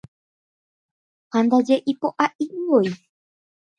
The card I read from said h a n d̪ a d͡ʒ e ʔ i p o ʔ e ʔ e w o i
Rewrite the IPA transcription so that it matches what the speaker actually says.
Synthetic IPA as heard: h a n d̪ a d͡ʒ e ʔ i p o ʔ a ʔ i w o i